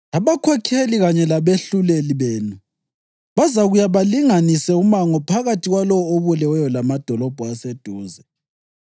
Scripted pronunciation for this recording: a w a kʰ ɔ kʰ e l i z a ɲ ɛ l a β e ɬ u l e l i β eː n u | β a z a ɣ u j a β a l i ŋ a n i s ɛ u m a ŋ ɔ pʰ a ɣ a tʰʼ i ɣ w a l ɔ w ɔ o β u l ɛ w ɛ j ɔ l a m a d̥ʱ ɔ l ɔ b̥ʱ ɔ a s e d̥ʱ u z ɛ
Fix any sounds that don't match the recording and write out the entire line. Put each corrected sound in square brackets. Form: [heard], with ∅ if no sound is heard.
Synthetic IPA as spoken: a [β] a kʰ ɔ kʰ e l i [ɣ] a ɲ ɛ l a β e ɬ u l e l i β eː n u | β a z a ɣ u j a β a l i ŋ a n i s ɛ u m a ŋ ɔ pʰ a ɣ a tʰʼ i ɣ w a l ɔ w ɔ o β u l ɛ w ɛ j ɔ l a m a d̥ʱ ɔ l ɔ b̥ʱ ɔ a s e d̥ʱ [uː] z ɛ